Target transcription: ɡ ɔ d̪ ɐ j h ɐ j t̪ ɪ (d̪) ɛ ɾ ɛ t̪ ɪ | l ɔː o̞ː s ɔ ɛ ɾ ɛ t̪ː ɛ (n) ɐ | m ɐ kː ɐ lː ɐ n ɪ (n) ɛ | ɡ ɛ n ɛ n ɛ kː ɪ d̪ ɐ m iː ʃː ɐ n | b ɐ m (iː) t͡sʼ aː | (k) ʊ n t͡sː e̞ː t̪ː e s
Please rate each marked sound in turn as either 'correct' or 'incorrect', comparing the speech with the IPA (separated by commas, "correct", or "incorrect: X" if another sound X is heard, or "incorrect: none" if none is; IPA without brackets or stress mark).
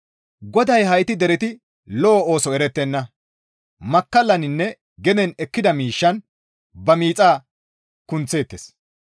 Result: correct, incorrect: nː, incorrect: nː, correct, correct